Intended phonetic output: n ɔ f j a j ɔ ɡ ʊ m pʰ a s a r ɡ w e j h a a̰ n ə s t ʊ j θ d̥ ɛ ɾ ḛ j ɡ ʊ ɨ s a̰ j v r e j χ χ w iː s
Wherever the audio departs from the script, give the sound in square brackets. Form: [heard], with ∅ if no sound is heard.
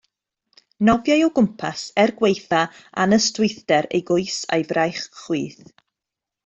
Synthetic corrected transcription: n ɔ [v] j a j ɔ ɡ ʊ m pʰ a s [ɛ] r ɡ w e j [θ] a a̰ n ə s t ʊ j θ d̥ ɛ ɾ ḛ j ɡ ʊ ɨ s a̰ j v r [a] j χ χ w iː [θ]